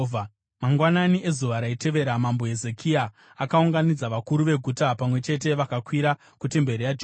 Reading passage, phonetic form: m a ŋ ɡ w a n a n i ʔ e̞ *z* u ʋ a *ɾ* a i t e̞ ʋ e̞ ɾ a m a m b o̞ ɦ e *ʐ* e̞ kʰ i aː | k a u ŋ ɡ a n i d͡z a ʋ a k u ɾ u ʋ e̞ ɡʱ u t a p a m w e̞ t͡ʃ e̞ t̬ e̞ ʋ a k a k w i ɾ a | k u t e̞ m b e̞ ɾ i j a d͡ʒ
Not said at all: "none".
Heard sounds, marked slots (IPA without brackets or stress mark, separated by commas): z, ɾ, z